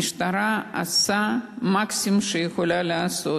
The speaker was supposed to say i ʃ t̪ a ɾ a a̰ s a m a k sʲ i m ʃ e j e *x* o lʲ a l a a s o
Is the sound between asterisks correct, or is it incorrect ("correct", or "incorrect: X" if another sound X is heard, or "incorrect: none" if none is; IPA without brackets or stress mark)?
correct